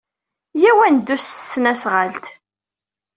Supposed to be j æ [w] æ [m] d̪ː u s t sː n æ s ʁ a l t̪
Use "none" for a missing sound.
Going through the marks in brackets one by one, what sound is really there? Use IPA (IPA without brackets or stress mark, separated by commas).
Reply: w, n